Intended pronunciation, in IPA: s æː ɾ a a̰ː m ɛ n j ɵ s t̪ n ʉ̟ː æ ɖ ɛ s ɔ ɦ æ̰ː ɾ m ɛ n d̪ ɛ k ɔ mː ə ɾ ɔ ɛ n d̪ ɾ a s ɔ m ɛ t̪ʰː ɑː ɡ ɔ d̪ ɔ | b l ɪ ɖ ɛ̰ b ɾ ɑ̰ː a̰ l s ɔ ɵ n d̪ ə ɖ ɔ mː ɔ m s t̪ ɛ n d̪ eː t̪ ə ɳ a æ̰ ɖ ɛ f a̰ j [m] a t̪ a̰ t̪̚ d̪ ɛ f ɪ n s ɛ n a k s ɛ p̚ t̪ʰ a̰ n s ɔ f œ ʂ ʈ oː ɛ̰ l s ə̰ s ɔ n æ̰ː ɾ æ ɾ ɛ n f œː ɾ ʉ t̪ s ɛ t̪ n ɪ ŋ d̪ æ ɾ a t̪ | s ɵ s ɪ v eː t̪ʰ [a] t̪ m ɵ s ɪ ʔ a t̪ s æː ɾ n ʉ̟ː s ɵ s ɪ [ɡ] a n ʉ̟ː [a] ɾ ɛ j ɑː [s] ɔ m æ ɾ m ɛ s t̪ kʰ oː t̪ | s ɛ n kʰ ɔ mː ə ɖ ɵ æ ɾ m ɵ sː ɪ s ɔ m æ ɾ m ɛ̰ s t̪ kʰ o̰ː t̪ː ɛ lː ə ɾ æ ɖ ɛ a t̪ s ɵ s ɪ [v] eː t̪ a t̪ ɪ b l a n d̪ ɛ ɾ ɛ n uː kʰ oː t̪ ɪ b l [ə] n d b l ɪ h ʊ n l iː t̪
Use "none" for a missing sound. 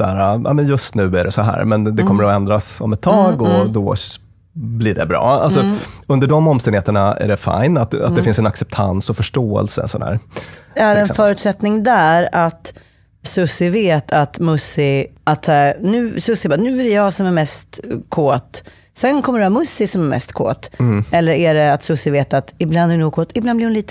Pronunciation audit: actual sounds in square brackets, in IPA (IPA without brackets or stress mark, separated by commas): n, a, b, æ, s, v, a